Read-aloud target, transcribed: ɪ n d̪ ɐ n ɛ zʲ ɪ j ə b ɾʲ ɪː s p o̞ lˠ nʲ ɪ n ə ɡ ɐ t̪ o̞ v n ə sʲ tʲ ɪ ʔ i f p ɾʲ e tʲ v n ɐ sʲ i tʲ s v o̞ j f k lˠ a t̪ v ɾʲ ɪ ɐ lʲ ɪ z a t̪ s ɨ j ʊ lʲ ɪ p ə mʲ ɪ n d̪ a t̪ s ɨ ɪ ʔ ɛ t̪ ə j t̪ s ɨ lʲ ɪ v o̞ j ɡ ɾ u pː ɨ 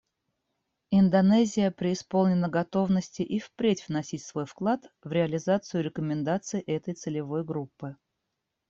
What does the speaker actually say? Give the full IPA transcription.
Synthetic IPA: ɪ n d̪ ɐ n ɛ zʲ ɪ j ə p ɾʲ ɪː s p o̞ lˠ nʲ ɪ n ə ɡ ɐ t̪ o̞ v n ə sʲ tʲ ɪ ʔ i f p ɾʲ e tʲ v n ɐ sʲ i tʲ s v o̞ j f k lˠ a t̪ v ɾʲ ɪ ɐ lʲ ɪ z a t̪ s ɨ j ʊ ɾʲ ɪ k ə mʲ ɪ n d̪ a t̪ s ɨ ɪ ʔ ɛ t̪ ə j t̪ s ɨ lʲ ɪ v o̞ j ɡ ɾ u pː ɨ

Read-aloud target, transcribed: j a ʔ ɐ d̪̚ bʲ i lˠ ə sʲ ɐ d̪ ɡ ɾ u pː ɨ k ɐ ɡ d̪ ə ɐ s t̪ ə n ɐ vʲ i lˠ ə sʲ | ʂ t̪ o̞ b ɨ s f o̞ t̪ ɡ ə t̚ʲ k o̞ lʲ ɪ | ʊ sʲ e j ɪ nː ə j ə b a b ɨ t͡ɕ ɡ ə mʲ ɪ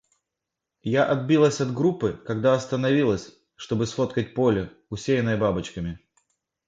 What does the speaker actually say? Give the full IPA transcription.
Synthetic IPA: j a ʔ ɐ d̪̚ bʲ i lˠ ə sʲ ɐ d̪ ɡ ɾ u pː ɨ k ɐ ɡ d̪ a ɐ s t̪ ə n ɐ vʲ i lˠ ə sʲ | ʂ t̪ o̞ b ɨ s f o̞ t̪ k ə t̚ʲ p o̞ lʲ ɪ | ʊ sʲ e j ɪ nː ə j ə b a b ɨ t͡ɕ k ə mʲ ɪ

